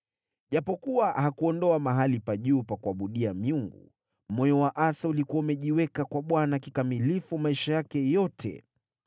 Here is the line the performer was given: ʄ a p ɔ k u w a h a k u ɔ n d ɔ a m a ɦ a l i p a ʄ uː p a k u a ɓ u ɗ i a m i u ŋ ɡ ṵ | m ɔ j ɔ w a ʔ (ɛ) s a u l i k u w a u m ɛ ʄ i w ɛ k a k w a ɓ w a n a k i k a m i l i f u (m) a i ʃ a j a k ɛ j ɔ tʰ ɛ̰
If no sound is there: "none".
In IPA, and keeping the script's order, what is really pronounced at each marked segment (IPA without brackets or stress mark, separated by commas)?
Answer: a, m